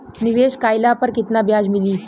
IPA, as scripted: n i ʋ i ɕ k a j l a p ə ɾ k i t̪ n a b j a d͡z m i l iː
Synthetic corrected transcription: n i ʋ e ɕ k a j l a p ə ɾ k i t̪ n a b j a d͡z m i l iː